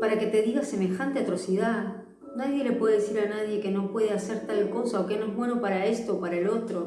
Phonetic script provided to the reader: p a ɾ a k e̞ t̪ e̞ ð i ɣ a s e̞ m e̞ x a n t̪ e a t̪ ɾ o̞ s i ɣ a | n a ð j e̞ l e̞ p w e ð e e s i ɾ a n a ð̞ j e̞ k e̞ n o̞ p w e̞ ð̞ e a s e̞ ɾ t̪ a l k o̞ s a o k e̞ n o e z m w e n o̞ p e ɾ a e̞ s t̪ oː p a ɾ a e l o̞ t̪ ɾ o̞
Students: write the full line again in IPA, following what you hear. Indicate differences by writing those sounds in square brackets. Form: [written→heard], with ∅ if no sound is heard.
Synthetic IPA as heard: p a ɾ a k e̞ t̪ e̞ ð i ɣ a s e̞ m e̞ x a n t̪ e a t̪ ɾ o̞ s i [ɣ→ð] a | n a ð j e̞ l e̞ p w e ð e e s i ɾ a n a ð̞ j e̞ k e̞ n o̞ p w e̞ ð̞ e a s e̞ ɾ t̪ a l k o̞ s a o k e̞ n o e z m w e n o̞ p [e→a] ɾ a e̞ s t̪ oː p a ɾ a e l o̞ t̪ ɾ o̞